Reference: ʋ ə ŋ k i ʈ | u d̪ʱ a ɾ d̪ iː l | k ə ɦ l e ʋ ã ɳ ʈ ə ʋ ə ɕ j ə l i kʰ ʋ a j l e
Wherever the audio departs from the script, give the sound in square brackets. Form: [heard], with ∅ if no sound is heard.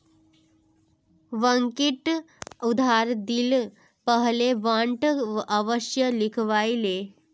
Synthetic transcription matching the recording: ʋ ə ŋ k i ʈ | u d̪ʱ a ɾ d̪ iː l | [p] ə ɦ l e ʋ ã ɳ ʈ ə ʋ ə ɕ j ə l i kʰ ʋ a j l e